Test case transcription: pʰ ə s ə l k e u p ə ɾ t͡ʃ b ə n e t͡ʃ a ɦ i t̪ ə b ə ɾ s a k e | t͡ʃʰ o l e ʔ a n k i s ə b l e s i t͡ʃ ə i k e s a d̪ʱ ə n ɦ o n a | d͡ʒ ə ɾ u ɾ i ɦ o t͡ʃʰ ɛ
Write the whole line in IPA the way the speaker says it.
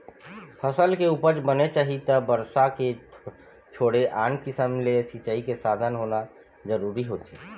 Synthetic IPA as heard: pʰ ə s ə l k e u p ə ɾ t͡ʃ b ə n e t͡ʃ a ɦ i t̪ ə b ə ɾ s a k e | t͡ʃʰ o ɽ e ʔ a n k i s ə m l e s i t͡ʃ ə i k e s a d̪ʱ ə n ɦ o n a | d͡ʒ ə ɾ u ɾ i ɦ o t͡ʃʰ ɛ